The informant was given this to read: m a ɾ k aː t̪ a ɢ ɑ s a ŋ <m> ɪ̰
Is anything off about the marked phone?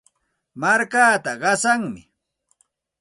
no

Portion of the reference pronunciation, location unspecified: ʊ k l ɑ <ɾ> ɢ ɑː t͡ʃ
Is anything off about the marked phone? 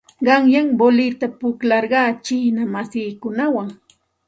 no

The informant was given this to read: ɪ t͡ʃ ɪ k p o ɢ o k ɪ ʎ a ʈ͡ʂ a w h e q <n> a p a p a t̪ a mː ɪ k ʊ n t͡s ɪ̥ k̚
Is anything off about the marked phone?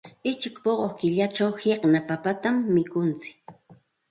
no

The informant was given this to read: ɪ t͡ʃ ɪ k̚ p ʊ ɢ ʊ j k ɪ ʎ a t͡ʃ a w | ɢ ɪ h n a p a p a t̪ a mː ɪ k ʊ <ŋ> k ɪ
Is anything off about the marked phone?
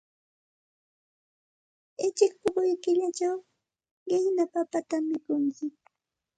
no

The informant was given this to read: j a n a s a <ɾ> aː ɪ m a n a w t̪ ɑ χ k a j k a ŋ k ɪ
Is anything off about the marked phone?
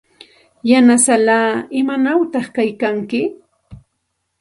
yes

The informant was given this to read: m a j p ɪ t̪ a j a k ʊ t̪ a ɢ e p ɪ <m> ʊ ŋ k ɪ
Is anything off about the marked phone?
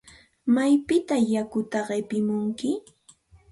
no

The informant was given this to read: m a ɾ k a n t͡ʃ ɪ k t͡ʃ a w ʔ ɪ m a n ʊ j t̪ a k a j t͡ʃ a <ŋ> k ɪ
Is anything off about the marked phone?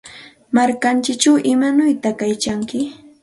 no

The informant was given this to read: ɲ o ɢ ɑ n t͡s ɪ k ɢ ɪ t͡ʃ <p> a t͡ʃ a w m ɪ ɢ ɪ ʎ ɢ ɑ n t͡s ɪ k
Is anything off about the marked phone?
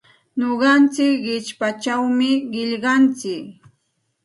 no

